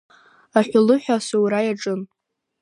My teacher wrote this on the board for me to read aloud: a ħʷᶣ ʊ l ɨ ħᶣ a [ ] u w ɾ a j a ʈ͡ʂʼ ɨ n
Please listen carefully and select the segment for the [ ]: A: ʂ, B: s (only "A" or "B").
B